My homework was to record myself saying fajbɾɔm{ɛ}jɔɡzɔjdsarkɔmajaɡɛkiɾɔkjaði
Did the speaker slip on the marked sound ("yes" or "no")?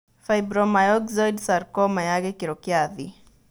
yes